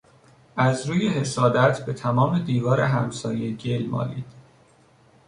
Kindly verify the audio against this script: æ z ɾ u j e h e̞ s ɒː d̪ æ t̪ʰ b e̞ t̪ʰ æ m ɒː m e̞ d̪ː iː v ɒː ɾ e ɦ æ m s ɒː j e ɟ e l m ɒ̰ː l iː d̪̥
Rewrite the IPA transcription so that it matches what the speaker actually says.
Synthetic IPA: æ z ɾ uː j e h e̞ s ɒː d̪ æ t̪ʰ b e̞ t̪ʰ æ m ɒː m e̞ d̪ iː v ɒː ɾ e ɦ æ m s ɒː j e ɟ e l m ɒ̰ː l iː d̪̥